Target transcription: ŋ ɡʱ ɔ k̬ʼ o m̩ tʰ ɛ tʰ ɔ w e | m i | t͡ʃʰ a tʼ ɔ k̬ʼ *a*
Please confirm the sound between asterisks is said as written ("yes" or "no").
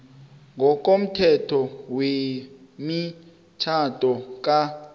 yes